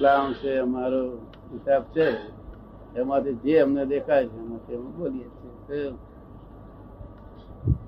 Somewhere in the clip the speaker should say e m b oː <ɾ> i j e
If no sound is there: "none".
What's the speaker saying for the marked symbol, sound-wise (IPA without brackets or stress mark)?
l